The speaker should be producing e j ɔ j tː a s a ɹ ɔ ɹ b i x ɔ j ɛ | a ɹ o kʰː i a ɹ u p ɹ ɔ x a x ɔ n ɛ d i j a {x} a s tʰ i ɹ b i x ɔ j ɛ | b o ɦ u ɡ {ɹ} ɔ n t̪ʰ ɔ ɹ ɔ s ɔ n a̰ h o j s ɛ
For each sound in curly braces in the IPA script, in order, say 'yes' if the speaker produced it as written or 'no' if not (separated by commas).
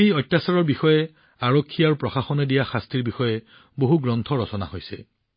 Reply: yes, yes